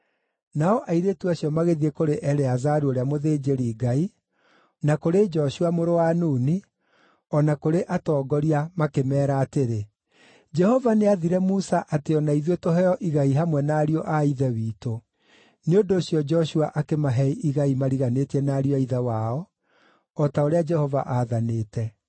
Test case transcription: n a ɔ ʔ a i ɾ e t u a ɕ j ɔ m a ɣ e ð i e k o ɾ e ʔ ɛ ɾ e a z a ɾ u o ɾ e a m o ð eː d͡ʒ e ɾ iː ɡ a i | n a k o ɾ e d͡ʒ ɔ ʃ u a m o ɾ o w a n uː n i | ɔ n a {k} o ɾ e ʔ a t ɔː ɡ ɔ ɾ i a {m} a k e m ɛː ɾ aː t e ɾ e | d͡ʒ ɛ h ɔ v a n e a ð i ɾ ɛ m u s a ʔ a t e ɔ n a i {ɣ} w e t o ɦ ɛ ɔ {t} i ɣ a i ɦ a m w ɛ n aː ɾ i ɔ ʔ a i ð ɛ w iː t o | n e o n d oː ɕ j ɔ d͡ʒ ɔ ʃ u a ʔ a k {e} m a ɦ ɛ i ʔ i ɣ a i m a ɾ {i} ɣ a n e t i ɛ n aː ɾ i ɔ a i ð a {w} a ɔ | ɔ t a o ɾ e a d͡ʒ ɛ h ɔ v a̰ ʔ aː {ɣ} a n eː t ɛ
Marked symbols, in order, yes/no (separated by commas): yes, yes, no, no, yes, yes, yes, no